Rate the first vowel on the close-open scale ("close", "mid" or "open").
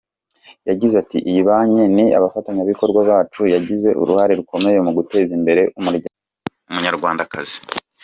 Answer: open